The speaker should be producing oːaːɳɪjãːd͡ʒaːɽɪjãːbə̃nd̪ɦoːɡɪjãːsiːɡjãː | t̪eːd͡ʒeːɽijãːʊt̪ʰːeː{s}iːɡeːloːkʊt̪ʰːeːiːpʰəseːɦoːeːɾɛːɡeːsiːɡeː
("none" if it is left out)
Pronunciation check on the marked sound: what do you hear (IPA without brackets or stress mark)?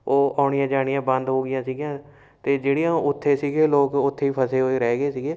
s